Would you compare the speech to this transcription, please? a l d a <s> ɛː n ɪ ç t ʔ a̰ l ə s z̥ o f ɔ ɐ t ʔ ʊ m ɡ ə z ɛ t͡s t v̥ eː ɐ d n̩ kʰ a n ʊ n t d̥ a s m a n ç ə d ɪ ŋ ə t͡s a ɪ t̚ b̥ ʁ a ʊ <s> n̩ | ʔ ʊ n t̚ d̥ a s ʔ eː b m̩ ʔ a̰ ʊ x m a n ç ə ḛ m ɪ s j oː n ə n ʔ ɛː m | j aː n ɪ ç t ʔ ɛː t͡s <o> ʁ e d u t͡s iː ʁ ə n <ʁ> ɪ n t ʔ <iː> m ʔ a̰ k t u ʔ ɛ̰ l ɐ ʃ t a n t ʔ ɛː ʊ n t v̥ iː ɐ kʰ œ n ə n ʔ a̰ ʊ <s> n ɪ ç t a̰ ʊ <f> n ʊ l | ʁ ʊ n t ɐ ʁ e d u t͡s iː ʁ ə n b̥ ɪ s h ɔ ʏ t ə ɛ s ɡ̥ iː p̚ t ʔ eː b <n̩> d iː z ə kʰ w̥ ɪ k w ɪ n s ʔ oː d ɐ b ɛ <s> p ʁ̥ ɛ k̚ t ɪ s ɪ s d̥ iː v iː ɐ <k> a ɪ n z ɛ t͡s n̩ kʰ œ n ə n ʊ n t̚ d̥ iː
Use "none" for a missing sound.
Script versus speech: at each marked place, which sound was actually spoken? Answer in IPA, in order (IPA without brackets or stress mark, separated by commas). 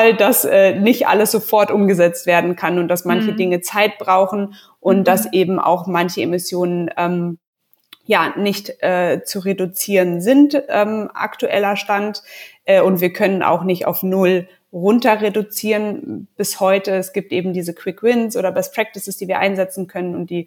s, x, u, z, ɛː, x, f, m̩, s, ʔ